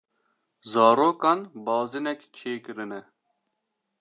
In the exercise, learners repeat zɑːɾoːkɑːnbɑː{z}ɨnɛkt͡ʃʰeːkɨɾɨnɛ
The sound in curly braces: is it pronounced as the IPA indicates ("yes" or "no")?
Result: yes